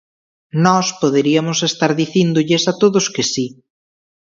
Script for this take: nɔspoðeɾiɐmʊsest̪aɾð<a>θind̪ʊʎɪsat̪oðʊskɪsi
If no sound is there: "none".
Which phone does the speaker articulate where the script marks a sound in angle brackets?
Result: i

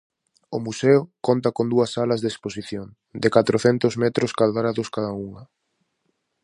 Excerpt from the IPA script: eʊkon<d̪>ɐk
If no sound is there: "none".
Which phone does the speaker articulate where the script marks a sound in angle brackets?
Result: t̪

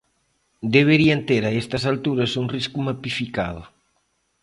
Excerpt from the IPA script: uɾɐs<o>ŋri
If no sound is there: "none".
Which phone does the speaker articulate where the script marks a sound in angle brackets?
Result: u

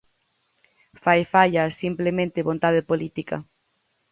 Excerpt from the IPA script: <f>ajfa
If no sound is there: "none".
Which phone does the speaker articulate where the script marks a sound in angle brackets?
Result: f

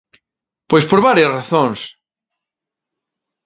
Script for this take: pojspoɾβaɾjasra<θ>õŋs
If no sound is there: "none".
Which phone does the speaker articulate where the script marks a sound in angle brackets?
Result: θ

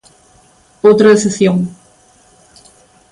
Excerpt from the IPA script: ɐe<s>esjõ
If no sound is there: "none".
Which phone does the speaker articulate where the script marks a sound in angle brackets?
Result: s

